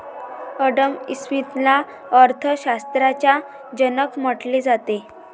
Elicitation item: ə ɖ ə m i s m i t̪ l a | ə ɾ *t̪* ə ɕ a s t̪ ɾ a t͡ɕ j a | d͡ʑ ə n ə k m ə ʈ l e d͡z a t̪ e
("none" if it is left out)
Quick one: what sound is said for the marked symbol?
t̪ʰ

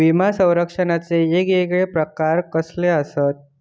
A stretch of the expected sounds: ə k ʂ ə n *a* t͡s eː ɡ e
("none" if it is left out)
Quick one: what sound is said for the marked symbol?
a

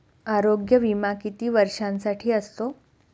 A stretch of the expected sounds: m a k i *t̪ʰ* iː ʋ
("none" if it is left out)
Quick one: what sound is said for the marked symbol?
t̪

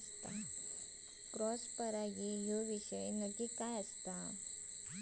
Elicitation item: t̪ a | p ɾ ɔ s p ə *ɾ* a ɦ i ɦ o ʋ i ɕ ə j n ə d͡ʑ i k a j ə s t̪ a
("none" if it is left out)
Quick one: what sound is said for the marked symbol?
ɾ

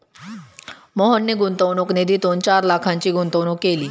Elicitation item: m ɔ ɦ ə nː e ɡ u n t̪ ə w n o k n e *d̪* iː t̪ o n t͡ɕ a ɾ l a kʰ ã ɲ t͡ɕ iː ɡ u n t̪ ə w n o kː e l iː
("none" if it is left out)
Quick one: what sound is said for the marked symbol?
d̪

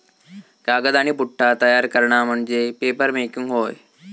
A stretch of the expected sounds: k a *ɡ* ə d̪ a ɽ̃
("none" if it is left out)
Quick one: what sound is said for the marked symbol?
ɡ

